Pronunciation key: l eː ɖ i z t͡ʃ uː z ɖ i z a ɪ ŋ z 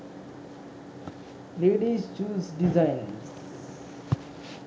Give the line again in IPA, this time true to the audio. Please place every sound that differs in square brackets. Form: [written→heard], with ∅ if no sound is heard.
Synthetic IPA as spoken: l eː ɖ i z t͡ʃ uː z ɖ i z a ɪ [ŋ→n] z